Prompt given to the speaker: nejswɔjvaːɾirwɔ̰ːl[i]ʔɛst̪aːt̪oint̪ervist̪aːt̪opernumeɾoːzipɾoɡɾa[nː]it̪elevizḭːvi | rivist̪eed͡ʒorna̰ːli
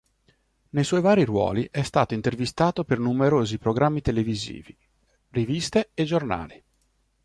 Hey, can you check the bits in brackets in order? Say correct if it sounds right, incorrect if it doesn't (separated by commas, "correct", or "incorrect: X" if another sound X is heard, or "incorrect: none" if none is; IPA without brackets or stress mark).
correct, incorrect: mː